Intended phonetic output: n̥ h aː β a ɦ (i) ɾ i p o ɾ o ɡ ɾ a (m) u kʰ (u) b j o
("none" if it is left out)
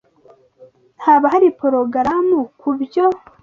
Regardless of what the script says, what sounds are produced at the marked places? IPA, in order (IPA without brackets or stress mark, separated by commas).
a, m, u